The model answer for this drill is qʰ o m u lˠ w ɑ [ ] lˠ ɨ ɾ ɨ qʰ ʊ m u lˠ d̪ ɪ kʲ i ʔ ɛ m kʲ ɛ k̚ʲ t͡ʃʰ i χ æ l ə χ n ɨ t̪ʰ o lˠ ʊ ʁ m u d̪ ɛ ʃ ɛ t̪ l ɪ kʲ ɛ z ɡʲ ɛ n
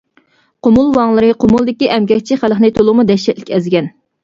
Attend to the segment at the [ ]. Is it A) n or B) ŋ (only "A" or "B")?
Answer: B